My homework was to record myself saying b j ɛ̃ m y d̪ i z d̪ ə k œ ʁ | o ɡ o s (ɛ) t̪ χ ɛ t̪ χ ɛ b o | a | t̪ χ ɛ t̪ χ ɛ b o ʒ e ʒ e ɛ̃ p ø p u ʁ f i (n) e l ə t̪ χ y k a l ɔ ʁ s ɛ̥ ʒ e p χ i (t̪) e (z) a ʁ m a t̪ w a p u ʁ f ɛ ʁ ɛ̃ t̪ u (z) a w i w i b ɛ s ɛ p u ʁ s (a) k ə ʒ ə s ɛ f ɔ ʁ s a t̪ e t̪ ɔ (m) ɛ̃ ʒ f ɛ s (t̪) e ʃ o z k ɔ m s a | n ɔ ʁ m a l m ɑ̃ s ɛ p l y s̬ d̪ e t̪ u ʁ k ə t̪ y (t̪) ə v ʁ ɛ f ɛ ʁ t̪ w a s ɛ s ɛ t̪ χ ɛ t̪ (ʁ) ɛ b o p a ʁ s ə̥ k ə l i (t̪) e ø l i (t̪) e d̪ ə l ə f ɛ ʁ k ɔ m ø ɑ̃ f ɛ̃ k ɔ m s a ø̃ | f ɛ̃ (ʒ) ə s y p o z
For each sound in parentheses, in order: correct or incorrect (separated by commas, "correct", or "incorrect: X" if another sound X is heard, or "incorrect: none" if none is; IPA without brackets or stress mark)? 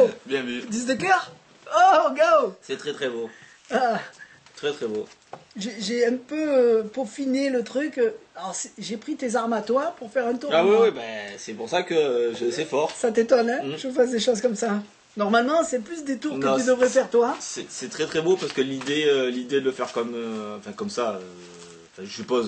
correct, correct, correct, correct, incorrect: ʁ, correct, incorrect: n, incorrect: d̪, incorrect: d̪, incorrect: χ, incorrect: d̪, incorrect: d̪, correct